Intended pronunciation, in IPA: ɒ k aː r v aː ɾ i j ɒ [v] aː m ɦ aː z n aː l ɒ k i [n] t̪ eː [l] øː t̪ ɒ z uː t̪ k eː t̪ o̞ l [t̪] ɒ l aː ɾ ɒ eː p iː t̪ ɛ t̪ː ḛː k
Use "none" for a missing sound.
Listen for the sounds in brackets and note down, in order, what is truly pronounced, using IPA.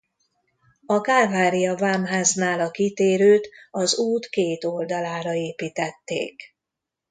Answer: v, none, ɾ, d̪

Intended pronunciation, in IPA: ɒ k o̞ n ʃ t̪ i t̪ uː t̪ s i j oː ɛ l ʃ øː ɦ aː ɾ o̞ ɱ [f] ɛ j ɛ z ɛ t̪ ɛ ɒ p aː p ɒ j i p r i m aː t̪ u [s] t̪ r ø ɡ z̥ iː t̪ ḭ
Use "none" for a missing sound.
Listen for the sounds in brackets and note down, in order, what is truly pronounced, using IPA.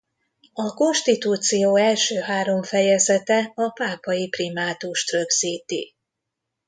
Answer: f, ʃ

